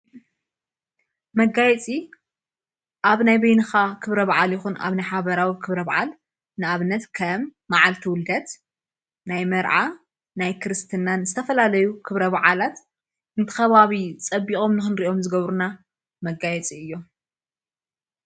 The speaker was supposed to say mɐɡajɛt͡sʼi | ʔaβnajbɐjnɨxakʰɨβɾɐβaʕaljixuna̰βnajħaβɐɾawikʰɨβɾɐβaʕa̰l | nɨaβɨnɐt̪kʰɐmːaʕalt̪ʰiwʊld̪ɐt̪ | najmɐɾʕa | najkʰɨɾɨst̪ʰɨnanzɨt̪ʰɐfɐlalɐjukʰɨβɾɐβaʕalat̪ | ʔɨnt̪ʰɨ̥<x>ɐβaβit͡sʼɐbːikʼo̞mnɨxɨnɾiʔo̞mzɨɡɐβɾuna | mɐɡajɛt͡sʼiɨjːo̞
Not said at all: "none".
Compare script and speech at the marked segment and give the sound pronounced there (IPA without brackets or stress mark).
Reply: x